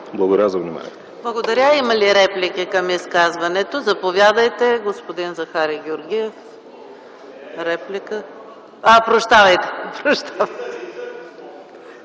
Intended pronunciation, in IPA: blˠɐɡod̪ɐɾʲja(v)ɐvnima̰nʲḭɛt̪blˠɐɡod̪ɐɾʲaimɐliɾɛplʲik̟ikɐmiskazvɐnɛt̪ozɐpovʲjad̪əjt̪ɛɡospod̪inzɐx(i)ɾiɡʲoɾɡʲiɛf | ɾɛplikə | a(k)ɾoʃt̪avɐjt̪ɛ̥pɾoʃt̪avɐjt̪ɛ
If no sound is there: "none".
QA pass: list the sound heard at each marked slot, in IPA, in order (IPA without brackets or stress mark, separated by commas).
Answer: z, a, p